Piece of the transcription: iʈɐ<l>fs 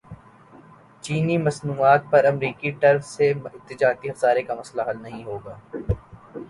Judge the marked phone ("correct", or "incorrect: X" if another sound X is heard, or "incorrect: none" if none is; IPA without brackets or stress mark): incorrect: ɾ